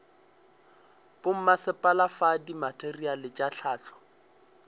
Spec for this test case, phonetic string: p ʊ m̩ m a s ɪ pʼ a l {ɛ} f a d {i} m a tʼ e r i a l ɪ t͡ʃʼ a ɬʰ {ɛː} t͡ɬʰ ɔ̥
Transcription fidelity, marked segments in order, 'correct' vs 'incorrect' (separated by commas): incorrect, correct, incorrect